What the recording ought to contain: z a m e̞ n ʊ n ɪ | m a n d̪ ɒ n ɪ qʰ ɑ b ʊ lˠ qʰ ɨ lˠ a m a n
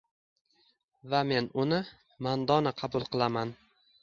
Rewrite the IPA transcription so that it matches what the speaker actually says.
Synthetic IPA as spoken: v a m e̞ n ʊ n ɪ | m a n d̪ ɒ n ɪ qʰ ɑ b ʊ lˠ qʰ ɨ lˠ a m a n